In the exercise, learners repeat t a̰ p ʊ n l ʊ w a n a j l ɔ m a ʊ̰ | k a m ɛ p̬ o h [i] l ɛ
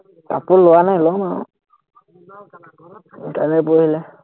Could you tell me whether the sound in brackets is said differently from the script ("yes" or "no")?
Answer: no